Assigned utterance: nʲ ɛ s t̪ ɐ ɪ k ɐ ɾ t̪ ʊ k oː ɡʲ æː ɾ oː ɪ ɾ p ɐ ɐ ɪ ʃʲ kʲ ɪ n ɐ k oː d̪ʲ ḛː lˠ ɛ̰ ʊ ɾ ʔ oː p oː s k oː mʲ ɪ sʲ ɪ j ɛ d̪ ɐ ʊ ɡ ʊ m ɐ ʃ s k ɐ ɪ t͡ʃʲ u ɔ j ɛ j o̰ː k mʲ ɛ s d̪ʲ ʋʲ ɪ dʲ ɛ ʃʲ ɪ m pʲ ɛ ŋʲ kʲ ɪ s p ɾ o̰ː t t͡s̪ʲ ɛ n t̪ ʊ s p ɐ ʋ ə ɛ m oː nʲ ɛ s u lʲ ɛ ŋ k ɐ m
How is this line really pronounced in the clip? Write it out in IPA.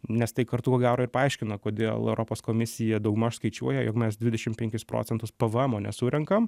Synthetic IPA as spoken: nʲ ɛ s t̪ ɐ ɪ k ɐ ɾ t̪ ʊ k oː ɡʲ æː ɾ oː ɪ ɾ p ɐ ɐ ɪ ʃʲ kʲ ɪ n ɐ k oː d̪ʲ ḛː lˠ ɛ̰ ʊ ɾ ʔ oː p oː s k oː mʲ ɪ sʲ ɪ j ɛ d̪ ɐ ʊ ɡ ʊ m ɐ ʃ s k ɐ ɪ t͡ʃʲ u ɔ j ɛ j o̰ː k mʲ ɛ s d̪ʲ ʋʲ ɪ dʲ ɛ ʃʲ ɪ m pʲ ɛ ŋʲ kʲ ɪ s p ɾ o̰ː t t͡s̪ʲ ɛ n t̪ ʊ s p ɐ ʋ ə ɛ m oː nʲ ɛ s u ɾʲ ɛ ŋ k ɐ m

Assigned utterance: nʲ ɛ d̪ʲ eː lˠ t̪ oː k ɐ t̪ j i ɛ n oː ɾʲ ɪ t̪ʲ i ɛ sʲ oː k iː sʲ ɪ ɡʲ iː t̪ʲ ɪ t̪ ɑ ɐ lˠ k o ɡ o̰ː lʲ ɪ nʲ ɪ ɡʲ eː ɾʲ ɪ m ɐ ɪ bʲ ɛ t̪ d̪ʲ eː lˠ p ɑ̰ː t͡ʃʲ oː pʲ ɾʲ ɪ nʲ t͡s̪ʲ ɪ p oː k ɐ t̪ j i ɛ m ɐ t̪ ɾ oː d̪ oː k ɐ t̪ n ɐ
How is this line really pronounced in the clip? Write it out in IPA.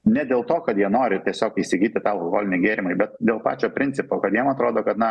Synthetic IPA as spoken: nʲ ɛ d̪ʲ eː lˠ t̪ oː k ɐ t̪ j i ɛ n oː ɾʲ ɪ t̪ʲ i ɛ sʲ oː k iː sʲ ɪ ɡʲ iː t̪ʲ ɪ t̪ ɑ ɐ lˠ k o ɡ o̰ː lʲ ɪ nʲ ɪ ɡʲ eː ɾʲ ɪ m ɐ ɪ bʲ ɛ t̪ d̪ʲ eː lˠ p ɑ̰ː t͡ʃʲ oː pʲ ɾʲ ɪ nʲ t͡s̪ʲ ɪ p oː k ɐ t̪ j i ɛ m ɐ t̪ ɾ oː d̪ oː k ɐ t̪ n ɐ

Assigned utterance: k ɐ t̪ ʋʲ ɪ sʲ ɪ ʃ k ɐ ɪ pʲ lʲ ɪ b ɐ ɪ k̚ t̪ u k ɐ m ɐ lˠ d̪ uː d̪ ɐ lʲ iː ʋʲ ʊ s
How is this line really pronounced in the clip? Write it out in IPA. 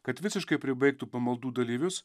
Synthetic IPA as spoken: k ɐ t̪ ʋʲ ɪ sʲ ɪ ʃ k ɐ ɪ pʲ ɾʲ ɪ b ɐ ɪ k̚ t̪ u p ɐ m ɐ lˠ d̪ uː d̪ ɐ lʲ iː ʋʲ ʊ s

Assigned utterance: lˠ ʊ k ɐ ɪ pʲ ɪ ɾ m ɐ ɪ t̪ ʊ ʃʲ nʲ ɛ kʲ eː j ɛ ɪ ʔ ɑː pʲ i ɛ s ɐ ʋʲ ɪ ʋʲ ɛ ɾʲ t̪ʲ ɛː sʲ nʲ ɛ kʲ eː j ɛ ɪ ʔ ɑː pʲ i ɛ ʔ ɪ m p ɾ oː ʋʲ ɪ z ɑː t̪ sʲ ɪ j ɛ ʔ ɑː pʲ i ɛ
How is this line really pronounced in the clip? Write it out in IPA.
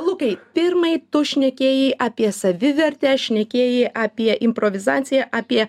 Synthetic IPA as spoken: lˠ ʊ k ɐ ɪ pʲ ɪ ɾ m ɐ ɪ t̪ ʊ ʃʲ nʲ ɛ kʲ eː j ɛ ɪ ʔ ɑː pʲ i ɛ s ɐ ʋʲ ɪ ʋʲ ɛ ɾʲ t̪ʲ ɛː ʃʲ nʲ ɛ kʲ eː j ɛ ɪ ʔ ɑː pʲ i ɛ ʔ ɪ m p ɾ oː ʋʲ ɪ z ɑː t̪ sʲ ɪ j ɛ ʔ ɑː pʲ i ɛ

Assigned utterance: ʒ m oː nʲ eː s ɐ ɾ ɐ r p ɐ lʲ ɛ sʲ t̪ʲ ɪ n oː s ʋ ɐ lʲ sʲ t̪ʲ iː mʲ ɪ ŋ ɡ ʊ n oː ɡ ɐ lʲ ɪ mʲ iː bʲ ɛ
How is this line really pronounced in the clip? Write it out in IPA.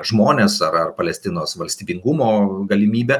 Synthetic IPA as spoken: ʒ m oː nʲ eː s ɐ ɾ ɐ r p ɐ lʲ ɛ sʲ t̪ʲ ɪ n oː s ʋ ɐ lʲ sʲ t̪ʲ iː bʲ ɪ ŋ ɡ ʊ m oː ɡ ɐ lʲ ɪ mʲ iː bʲ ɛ

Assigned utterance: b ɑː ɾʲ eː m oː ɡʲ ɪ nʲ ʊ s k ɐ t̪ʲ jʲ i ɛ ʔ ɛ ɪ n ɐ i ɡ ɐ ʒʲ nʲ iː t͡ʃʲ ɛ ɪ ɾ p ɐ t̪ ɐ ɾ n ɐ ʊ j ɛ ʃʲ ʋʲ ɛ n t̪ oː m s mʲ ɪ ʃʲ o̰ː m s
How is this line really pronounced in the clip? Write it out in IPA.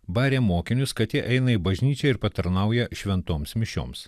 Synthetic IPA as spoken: b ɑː ɾʲ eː m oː kʲ ɪ nʲ ʊ s k ɐ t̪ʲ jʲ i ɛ ʔ ɛ ɪ n ɐ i b ɐ ʒʲ nʲ iː t͡ʃʲ ɛ ɪ ɾ p ɐ t̪ ɐ ɾ n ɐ ʊ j ɛ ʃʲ ʋʲ ɛ n t̪ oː m s mʲ ɪ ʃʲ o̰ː m s

